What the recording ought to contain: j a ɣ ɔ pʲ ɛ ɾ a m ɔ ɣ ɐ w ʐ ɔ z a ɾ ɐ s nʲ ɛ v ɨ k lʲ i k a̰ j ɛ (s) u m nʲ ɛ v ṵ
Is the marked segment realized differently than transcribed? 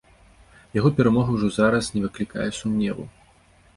no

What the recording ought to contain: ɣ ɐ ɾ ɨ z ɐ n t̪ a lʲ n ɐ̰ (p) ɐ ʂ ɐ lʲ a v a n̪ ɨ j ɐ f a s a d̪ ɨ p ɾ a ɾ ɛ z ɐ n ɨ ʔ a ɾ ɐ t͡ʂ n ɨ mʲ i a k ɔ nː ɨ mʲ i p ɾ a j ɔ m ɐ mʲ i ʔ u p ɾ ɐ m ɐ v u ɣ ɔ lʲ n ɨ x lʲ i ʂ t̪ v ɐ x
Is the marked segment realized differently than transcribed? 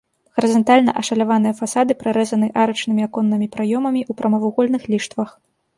yes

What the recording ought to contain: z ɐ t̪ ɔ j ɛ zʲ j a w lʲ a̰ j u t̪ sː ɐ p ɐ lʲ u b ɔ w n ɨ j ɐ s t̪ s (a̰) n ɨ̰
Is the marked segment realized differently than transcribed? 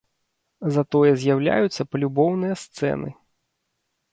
yes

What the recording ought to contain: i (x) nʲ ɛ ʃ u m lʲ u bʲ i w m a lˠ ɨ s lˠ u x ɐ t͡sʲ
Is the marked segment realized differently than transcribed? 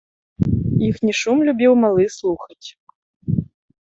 no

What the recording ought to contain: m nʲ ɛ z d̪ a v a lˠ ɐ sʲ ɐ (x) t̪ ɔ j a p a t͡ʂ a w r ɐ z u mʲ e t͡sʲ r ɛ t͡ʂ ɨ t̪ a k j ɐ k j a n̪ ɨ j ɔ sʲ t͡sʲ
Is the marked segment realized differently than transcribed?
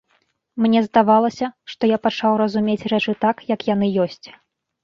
yes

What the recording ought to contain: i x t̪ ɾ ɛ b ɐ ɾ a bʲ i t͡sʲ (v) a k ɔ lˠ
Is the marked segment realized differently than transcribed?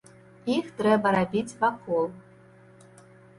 no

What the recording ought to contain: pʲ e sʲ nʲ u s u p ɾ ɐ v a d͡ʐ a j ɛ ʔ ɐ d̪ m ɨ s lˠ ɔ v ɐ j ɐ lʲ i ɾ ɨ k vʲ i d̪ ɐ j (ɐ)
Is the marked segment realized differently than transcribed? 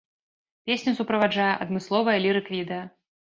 no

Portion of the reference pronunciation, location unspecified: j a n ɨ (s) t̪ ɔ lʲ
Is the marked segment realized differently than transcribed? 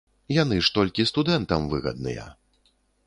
yes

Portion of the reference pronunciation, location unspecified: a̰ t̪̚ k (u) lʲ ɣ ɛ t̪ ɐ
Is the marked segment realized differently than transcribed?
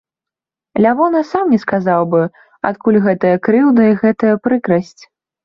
no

